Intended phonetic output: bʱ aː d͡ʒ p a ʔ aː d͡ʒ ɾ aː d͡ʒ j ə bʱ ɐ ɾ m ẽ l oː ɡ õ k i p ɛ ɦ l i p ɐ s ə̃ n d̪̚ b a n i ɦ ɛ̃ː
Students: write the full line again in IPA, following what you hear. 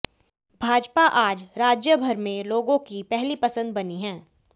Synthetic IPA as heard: bʱ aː d͡ʒ p a ʔ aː d͡ʒ ɾ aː d͡ʒ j ə bʱ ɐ ɾ m ẽ l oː ɡ õ k i p ɛ ɦ l i p ɐ s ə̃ n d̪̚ b ɐ n i ɦ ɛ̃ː